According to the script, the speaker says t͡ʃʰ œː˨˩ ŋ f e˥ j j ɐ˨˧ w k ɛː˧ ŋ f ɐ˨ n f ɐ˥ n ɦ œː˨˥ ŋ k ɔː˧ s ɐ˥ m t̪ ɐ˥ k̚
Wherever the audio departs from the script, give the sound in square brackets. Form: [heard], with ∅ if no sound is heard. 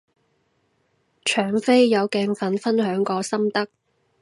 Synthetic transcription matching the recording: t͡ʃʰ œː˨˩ ŋ f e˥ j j ɐ˨˧ w k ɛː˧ ŋ f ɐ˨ n f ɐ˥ n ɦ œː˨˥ ŋ k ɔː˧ s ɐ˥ m t̪ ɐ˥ k̚